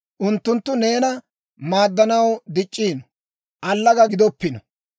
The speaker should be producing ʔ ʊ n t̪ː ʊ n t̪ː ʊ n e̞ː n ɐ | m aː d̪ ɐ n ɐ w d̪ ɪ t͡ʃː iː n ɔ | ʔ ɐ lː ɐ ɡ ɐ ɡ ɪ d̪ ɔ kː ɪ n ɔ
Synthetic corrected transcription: ʔ ʊ n t̪ː ʊ n t̪ː ʊ n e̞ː n ɐ | m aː d̪ː ɐ n ɐ w d̪ ɪ t͡ʃʼː iː n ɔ | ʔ ɐ lː ɐ ɡ ɐ ɡ ɪ d̪ ɔ pː ɪ n ɔ